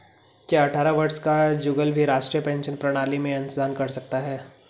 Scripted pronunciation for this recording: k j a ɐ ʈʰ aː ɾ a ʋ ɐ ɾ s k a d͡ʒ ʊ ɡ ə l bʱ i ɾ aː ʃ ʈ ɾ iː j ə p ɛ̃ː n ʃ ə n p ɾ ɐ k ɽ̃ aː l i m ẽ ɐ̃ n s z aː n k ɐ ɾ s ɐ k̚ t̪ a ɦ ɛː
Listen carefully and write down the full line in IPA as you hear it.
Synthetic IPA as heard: k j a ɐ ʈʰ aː ɾ a ʋ ɐ ɾ s k a d͡ʒ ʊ ɡ ə l bʱ i ɾ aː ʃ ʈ ɾ i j ə p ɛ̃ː n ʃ ə n p ɾ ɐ ɽ̃ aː l i m ẽ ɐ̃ n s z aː n k ɐ ɾ s ɐ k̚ t̪ a ɦ ɛː